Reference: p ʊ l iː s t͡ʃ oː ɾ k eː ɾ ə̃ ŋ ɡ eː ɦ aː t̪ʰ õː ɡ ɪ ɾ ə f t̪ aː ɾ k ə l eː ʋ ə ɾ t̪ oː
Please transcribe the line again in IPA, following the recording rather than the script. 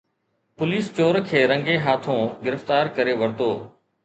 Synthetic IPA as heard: p ʊ l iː s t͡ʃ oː ɾ kʰ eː ɾ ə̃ ŋ ɡ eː ɦ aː t̪ʰ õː ɡ ɪ ɾ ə f t̪ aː ɾ k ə ɾ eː ʋ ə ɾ t̪ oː